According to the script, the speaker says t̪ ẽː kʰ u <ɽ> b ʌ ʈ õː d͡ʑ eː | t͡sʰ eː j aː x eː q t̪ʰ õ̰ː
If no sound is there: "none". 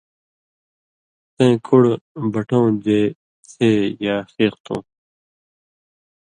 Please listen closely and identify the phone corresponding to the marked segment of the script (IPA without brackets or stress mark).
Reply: ɽ